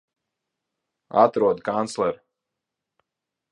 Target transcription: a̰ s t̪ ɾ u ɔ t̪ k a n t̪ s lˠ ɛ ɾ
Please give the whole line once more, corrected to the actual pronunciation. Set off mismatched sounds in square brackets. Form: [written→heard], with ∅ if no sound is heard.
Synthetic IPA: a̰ [s→∅] t̪ ɾ u ɔ [t̪→d̪] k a n t̪ s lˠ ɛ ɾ

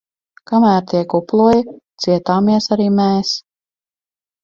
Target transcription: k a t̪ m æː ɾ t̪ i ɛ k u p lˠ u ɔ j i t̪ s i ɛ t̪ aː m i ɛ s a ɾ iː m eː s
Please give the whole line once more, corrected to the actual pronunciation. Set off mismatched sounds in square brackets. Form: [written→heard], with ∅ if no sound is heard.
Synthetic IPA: k a [t̪→∅] m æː ɾ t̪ i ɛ k u p lˠ u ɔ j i t̪ s i ɛ t̪ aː m i ɛ s a ɾ iː m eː s

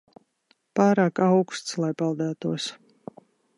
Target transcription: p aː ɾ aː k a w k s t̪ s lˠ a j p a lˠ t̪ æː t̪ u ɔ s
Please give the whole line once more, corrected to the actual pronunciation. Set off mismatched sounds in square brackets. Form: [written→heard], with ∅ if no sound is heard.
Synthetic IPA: p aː ɾ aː k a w k s t̪ s lˠ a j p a lˠ [t̪→d̪] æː t̪ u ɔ s

